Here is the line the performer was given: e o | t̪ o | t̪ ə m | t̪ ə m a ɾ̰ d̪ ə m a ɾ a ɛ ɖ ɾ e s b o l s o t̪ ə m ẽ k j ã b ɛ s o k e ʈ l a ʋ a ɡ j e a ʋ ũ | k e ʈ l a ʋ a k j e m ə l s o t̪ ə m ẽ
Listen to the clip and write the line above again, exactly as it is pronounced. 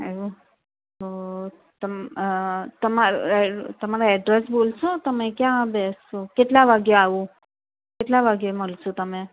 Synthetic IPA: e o | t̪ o | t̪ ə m | t̪ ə m a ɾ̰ t̪ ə m a ɾ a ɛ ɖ ɾ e s b o l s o t̪ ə m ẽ k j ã b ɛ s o k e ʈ l a ʋ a ɡ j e a ʋ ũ | k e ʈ l a ʋ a ɡ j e m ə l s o t̪ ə m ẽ